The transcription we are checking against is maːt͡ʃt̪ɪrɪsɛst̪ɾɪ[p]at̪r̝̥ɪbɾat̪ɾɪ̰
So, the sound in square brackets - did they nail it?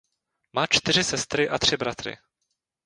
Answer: no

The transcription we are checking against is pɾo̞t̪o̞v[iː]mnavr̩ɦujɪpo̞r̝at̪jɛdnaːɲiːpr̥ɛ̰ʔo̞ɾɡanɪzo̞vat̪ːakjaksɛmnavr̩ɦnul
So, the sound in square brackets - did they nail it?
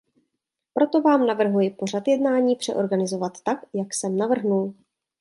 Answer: no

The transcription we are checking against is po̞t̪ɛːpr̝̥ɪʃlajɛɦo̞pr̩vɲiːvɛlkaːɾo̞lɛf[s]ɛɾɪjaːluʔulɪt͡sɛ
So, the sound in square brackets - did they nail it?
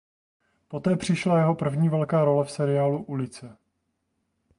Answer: yes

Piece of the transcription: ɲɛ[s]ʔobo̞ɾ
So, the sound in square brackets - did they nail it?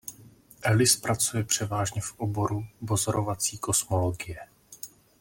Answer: no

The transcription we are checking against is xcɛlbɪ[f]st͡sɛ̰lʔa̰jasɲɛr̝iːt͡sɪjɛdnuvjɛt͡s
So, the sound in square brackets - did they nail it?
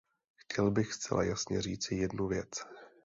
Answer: no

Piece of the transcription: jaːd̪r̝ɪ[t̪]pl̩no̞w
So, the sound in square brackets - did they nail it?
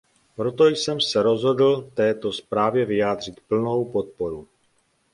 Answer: yes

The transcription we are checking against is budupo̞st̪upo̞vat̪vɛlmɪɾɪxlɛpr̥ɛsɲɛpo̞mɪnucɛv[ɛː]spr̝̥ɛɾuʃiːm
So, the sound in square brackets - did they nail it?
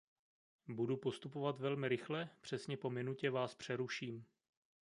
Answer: no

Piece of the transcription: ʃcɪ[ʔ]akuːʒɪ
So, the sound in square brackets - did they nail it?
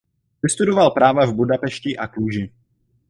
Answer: yes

